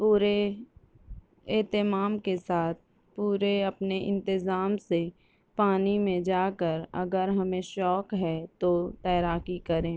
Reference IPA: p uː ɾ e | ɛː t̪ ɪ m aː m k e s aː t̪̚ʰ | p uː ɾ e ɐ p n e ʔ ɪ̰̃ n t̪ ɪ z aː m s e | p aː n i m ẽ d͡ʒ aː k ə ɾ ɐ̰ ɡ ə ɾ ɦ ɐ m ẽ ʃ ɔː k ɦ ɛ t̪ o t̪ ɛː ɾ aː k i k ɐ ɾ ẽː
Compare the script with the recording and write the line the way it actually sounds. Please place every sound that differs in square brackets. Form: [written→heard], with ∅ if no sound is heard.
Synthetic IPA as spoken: p uː ɾ e | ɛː t̪ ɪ m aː m k e s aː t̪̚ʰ | p uː ɾ e ɐ p n e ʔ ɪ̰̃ n t̪ ɪ z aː m s e | p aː n i m ẽ d͡ʒ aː k ə ɾ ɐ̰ ɡ ə ɾ ɦ ɐ m ẽ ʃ ɔː k ɦ ɛ t̪ o t̪ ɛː ɾ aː k i k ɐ ɾ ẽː